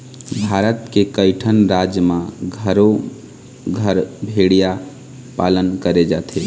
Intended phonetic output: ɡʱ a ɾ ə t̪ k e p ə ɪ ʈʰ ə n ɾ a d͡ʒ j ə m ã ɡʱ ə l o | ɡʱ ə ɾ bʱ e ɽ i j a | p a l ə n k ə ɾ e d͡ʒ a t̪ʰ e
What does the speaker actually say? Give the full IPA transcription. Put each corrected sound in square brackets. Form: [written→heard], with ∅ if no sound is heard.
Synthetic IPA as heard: [ɡʱ→bʱ] a ɾ ə t̪ k e [p→k] ə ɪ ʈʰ ə n ɾ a d͡ʒ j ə m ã ɡʱ ə [l→ɾ] o | ɡʱ ə ɾ bʱ e ɽ i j a | p a l ə n k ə ɾ e d͡ʒ a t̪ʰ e